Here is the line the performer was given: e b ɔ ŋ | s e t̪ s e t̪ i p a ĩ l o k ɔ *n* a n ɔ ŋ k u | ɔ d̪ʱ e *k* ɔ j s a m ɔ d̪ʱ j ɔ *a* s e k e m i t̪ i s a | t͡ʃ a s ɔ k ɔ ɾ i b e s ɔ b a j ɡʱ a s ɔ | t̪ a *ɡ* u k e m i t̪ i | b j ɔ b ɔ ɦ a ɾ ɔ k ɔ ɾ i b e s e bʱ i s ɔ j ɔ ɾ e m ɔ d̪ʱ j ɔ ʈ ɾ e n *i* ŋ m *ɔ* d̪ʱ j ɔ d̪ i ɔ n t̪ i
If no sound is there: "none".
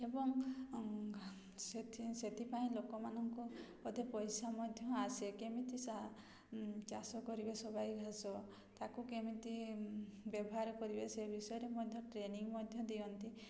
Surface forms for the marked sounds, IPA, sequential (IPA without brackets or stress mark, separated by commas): m, p, a, k, i, ɔ